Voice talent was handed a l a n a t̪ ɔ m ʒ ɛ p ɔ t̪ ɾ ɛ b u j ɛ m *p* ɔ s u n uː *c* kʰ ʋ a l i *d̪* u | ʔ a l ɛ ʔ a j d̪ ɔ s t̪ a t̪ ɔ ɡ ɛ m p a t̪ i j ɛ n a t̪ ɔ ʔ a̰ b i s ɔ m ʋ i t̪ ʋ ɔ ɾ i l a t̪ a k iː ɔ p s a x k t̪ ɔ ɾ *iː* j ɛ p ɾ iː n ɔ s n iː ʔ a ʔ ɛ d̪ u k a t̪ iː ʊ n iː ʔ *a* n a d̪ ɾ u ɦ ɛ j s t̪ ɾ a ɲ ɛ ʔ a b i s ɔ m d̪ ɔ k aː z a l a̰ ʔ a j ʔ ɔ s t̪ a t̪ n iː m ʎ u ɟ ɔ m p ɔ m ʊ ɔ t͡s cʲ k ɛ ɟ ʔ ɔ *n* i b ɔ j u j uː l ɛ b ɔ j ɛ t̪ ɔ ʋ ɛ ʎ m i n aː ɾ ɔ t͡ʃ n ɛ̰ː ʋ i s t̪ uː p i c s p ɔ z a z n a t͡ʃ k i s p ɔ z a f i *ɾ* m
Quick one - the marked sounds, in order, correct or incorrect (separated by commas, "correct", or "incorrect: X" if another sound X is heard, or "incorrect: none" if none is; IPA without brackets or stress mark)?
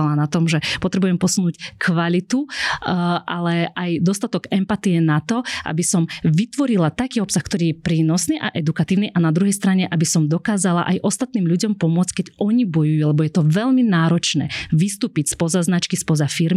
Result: correct, correct, incorrect: t̪, correct, correct, incorrect: ɲ, correct